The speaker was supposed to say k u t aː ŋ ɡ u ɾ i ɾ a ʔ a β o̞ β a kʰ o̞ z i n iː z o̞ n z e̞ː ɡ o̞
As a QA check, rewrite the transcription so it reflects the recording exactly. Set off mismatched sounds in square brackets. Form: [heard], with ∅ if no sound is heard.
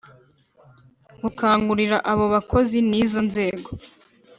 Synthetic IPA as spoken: [ɡ] u [k] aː ŋ ɡ u ɾ i ɾ a ʔ a β o̞ β a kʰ o̞ z i n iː z o̞ n z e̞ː ɡ o̞